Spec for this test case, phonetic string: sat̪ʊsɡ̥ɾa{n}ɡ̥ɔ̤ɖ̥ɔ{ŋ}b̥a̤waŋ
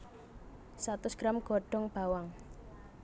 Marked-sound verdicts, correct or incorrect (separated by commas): incorrect, correct